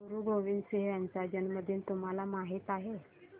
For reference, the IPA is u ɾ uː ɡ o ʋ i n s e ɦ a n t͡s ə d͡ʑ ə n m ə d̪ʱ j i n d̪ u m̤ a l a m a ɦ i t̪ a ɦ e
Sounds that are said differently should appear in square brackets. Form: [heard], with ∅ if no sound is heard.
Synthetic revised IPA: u ɾ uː ɡ o ʋ i n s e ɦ a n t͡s [a] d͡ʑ ə n m ə d̪ʱ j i n [t̪] u m̤ a l a m a ɦ i t̪ a ɦ e